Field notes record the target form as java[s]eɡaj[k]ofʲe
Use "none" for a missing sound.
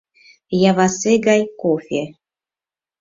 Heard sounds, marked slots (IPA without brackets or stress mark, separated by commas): s, k